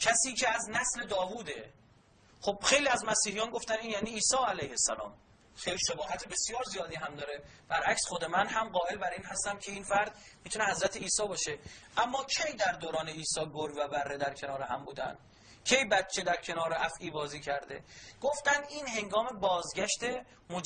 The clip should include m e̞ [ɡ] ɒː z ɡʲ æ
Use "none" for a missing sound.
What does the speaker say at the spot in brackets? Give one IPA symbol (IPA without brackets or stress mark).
b